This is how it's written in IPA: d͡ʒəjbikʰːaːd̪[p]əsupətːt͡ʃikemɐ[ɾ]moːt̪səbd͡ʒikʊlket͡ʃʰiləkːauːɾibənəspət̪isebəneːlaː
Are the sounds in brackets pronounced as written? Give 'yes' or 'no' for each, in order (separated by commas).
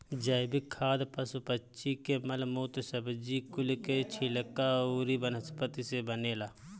yes, no